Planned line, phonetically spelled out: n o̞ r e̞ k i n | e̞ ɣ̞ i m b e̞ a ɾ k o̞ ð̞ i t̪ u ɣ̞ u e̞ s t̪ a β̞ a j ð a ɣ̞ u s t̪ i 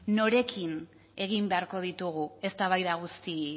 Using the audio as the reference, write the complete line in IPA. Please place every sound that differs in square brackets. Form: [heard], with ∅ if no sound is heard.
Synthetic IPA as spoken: n o̞ [ɾ] e̞ k i n | e̞ ɣ̞ i m b e̞ a ɾ k o̞ ð̞ i t̪ u ɣ̞ u e̞ s t̪ a β̞ a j ð a ɣ̞ u s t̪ i